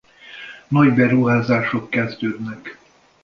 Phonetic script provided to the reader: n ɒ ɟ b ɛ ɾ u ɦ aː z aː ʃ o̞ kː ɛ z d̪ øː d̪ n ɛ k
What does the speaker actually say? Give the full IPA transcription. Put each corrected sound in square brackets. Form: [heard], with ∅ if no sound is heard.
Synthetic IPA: n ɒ ɟ b ɛ ɾ u ɦ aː z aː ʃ o̞ kː ɛ z d̪ øː d̪ n ɛ k